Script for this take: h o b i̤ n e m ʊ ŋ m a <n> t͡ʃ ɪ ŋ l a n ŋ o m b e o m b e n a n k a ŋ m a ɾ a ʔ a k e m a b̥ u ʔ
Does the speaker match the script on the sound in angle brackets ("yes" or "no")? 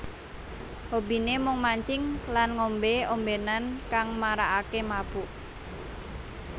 no